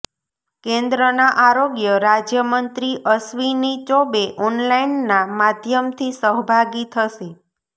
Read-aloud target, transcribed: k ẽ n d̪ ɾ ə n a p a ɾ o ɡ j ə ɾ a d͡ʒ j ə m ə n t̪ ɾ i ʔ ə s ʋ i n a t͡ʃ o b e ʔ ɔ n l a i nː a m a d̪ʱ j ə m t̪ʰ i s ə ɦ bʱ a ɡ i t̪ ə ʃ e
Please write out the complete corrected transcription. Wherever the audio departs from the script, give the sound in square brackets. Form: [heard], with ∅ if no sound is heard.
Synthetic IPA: k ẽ n d̪ ɾ ə n a [ʔ] a ɾ o ɡ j ə ɾ a d͡ʒ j ə m ə n t̪ ɾ i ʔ ə s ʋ i n [i] t͡ʃ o b e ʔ ɔ n l a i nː a m a d̪ʱ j ə m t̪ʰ i s ə ɦ bʱ a ɡ i [t̪ʰ] ə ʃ e